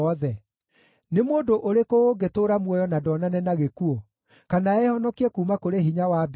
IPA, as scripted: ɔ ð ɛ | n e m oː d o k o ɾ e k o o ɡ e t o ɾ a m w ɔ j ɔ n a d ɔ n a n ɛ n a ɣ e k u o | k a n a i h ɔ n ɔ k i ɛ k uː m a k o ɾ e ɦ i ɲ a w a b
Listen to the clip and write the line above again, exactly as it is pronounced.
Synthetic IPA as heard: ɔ ð ɛ | n e m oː d o ʔ o ɾ e k o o ɡ e t o ɾ a m w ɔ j ɔ n a d ɔ n a n ɛ n a ɣ e k u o | k a n a ɛ h ɔ n ɔ k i ɛ k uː m a k o ɾ e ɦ i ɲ a w a b